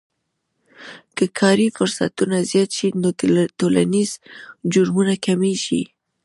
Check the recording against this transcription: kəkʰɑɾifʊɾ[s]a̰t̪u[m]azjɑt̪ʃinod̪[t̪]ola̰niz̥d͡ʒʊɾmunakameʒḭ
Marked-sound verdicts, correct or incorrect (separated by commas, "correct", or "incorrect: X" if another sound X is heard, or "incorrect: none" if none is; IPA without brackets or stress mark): correct, incorrect: n, correct